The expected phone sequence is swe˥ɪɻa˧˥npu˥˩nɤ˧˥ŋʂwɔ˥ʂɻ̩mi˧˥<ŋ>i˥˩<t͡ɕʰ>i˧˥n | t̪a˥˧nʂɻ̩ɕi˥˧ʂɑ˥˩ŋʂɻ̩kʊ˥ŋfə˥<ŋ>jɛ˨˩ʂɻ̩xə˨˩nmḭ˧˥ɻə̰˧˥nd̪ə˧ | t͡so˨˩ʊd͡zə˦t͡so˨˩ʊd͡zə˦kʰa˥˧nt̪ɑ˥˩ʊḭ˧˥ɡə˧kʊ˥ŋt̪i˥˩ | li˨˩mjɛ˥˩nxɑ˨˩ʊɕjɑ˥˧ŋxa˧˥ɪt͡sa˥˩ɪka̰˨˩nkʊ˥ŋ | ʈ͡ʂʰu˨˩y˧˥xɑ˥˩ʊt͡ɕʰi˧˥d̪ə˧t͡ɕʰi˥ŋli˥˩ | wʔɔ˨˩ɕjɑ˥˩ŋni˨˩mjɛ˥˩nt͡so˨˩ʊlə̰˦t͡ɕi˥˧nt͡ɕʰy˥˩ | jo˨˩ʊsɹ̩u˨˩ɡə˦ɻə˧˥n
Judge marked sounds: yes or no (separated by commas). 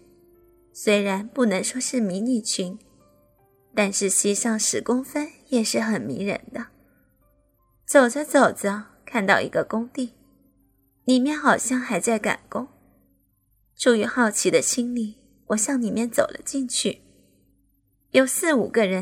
no, yes, no